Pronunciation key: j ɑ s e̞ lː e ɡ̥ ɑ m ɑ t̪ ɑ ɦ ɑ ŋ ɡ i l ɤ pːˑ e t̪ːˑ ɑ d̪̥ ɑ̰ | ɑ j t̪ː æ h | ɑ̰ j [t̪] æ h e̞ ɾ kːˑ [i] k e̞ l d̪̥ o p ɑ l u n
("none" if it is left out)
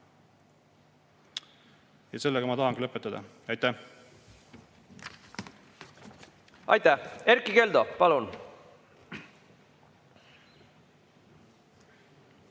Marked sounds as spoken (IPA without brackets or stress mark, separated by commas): t̪, i